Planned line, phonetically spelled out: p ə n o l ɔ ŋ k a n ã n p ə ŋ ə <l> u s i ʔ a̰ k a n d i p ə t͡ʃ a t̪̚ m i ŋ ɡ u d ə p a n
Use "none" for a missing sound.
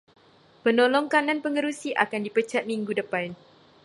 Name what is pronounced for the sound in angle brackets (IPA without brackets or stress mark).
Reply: ɾ